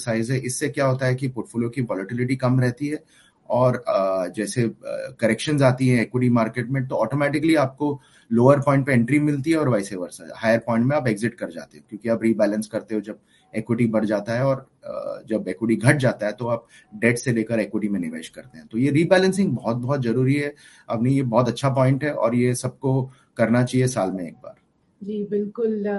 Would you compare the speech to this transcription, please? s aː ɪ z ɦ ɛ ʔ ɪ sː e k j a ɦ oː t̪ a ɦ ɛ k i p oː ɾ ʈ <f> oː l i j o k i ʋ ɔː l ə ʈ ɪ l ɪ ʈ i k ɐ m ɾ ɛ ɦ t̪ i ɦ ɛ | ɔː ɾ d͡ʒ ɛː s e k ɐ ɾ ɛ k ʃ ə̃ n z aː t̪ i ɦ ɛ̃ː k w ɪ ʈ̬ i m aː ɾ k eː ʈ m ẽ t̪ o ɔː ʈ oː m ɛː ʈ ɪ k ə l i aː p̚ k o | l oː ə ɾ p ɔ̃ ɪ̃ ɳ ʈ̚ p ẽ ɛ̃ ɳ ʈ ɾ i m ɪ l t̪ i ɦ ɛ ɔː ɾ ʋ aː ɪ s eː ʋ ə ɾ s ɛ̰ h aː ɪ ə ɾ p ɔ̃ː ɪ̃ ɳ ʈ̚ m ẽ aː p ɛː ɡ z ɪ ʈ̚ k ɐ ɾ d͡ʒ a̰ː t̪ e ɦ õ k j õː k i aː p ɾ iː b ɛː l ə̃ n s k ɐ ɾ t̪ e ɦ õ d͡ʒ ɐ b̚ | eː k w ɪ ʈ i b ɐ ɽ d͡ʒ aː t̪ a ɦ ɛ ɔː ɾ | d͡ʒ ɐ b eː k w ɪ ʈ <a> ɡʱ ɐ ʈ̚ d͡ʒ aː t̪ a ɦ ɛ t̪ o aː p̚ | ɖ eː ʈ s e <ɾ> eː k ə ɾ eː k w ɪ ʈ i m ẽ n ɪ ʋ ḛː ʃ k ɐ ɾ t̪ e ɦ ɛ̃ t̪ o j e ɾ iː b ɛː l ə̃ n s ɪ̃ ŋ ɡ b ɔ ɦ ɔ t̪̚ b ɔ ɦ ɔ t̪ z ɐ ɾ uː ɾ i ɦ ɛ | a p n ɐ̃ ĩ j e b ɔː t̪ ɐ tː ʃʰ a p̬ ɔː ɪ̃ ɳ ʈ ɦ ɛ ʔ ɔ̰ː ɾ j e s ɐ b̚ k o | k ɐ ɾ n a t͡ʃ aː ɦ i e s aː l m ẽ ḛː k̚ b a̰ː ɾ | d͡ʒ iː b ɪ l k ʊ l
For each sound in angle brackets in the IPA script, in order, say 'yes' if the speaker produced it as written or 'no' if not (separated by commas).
yes, no, no